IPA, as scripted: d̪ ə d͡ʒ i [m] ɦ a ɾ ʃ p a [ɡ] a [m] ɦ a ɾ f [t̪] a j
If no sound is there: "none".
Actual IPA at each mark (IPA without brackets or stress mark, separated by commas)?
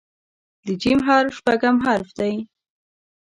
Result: m, ɡ, m, d̪